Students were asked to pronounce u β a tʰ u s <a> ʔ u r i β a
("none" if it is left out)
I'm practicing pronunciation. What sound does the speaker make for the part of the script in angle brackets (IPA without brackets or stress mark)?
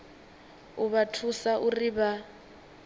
a